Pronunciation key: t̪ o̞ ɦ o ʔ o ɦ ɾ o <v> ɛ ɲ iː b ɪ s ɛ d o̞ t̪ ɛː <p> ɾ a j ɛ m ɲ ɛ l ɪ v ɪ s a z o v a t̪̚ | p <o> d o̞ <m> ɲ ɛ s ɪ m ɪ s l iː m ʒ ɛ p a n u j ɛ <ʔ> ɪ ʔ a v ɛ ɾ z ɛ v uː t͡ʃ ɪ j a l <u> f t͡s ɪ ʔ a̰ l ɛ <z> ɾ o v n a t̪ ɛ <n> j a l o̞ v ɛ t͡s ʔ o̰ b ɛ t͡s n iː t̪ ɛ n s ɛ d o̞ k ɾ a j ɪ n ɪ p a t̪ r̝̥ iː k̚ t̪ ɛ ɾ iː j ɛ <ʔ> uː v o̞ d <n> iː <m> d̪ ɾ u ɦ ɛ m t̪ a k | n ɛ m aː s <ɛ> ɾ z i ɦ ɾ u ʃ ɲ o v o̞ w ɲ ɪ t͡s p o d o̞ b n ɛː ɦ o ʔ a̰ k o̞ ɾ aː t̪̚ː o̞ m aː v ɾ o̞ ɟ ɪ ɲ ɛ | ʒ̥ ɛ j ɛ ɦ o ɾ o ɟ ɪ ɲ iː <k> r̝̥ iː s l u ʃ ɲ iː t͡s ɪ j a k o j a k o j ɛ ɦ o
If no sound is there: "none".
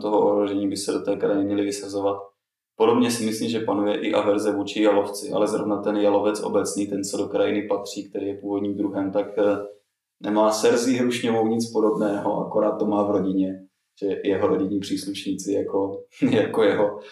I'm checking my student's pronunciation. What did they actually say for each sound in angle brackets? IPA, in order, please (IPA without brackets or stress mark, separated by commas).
ʒ, k, o, b, ʔ, o, z, n, p, ɲ, m, ɛ, p